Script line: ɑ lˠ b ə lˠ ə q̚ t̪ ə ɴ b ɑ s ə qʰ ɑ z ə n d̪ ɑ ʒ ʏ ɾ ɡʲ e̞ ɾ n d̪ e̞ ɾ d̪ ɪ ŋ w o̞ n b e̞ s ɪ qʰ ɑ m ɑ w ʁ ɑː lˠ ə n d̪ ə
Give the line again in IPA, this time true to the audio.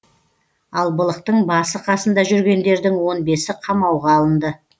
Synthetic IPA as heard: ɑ lˠ b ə lˠ ə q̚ t̪ ə ɴ b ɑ s ə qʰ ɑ s ə n d̪ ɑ ʒ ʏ ɾ ɡʲ e̞ n d̪ e̞ ɾ d̪ ɪ ŋ w o̞ n b e̞ s ɪ qʰ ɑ m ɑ w ʁ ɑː lˠ ə n d̪ ə

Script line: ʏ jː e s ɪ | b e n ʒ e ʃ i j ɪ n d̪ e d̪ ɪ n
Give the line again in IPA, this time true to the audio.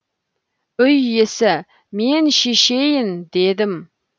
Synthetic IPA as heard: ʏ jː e s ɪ | m e n ʃ e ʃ e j ɪ n d̪ e d̪ ɪ m

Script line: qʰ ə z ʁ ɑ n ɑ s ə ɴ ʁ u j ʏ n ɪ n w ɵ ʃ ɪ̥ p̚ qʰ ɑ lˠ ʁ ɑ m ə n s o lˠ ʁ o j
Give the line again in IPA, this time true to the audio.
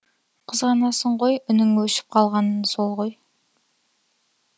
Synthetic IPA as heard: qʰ ə z ʁ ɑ n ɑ s ə ɴ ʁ o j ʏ n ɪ ŋ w ɵ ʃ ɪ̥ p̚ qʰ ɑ lˠ ʁ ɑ n ə n s o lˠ ʁ o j

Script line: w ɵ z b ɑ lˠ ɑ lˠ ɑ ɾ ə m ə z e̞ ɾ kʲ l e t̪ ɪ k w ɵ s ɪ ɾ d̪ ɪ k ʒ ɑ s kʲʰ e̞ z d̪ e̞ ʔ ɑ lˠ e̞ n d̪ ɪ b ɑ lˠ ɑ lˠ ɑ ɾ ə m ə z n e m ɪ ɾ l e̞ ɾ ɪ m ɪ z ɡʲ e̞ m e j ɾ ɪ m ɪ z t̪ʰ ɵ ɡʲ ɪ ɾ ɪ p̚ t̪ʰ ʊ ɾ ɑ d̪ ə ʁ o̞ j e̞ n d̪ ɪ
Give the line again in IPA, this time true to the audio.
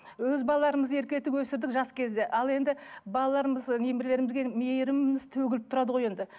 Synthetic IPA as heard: w ɵ z b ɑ lˠ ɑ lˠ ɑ ɾ ə m ə z e̞ ɾ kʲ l e t̪ ɪ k w ɵ s ɪ ɾ d̪ ɪ k ʒ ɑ s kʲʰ e̞ z d̪ e̞ ʔ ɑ lˠ e̞ n d̪ ɪ b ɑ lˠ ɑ lˠ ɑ ɾ ə m ə z n e m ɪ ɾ l e̞ ɾ ɪ m ɪ z ɡʲ e̞ m e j ɾ ɪ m ɪ z t̪ʰ ɵ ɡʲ ɪ l ɪ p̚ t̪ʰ ʊ ɾ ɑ d̪ ə ʁ o̞ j e̞ n d̪ ɪ

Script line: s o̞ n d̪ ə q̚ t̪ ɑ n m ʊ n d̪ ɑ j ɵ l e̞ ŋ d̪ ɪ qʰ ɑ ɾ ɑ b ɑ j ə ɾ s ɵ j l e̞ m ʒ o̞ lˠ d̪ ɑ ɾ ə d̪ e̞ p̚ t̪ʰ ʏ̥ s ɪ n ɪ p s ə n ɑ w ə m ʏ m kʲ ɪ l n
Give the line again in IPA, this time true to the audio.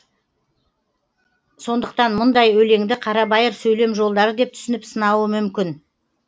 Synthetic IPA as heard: s o̞ n d̪ ə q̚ t̪ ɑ n m ʊ n d̪ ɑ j ɵ l e̞ ŋ d̪ ɪ qʰ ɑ ɾ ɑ b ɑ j ə ɾ s ɵ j l e̞ m ʒ o̞ lˠ d̪ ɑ ɾ ə d̪ e̞ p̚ t̪ʰ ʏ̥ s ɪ n ɪ p s ə n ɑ w ə m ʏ m kʲ ɪ n

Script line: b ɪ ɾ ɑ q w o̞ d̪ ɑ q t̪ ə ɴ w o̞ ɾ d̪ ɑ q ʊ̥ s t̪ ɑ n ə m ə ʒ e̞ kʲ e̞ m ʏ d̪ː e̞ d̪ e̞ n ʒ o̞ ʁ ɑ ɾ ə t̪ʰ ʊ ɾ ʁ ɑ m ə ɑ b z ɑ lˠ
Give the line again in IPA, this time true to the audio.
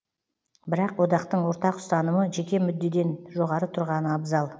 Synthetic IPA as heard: b ɪ ɾ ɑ q w o̞ d̪ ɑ q t̪ ə ɴ w o̞ ɾ t̪ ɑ q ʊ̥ s t̪ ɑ n ə m ə ʒ e̞ kʲ e̞ m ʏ d̪ː e̞ d̪ e̞ n ʒ o̞ ʁ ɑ ɾ ə t̪ʰ ʊ ɾ ʁ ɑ n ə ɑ b z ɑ lˠ

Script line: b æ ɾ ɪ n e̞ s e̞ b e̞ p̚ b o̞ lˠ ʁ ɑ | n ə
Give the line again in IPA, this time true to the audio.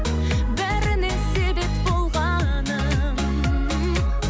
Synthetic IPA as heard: b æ ɾ ɪ n e̞ s e̞ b e̞ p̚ b o̞ lˠ ʁ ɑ | n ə

